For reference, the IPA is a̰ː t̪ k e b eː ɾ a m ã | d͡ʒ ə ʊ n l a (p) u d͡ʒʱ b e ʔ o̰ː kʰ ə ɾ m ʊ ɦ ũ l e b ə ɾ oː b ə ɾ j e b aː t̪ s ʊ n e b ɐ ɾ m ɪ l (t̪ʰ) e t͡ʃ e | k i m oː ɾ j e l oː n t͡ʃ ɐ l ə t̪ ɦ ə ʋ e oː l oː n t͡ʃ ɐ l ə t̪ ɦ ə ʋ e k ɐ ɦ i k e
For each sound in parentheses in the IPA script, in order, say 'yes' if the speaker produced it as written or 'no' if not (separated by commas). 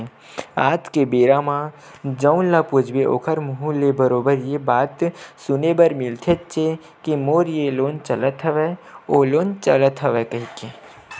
yes, yes